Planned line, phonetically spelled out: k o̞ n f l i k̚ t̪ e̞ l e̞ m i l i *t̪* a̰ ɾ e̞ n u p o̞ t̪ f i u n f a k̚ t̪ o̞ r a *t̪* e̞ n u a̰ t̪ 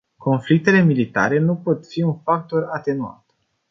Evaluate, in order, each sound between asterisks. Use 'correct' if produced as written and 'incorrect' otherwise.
correct, correct

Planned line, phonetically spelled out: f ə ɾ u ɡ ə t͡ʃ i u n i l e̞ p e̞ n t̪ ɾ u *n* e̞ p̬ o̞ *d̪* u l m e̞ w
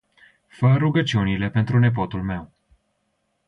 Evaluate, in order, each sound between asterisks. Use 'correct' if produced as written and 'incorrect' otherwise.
correct, incorrect: t̪

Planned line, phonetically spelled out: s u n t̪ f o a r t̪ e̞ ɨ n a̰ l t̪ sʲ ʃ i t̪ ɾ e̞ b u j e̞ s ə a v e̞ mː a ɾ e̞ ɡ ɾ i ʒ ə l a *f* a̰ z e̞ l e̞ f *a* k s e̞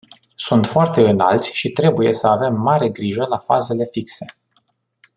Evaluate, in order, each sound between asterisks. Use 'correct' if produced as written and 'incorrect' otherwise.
correct, incorrect: i

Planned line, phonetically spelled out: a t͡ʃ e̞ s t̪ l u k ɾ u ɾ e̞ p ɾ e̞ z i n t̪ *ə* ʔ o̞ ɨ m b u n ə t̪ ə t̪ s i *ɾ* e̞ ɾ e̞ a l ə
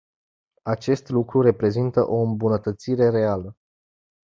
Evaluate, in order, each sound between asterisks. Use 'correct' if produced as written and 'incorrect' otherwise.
correct, correct

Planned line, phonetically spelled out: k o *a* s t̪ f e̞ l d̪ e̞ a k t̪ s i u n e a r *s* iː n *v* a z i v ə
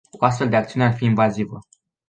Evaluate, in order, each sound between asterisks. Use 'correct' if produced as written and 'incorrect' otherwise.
correct, incorrect: f, correct

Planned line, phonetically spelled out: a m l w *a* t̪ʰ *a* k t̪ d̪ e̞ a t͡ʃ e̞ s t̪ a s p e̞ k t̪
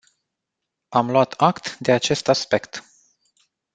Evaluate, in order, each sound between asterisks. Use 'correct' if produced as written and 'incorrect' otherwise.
correct, correct

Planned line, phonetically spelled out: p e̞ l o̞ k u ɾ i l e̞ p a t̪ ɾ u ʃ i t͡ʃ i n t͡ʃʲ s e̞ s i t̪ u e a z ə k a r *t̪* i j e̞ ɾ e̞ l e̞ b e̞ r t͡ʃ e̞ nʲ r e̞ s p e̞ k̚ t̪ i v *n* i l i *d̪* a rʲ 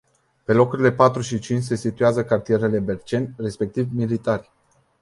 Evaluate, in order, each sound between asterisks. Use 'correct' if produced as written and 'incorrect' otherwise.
correct, incorrect: m, incorrect: t̪

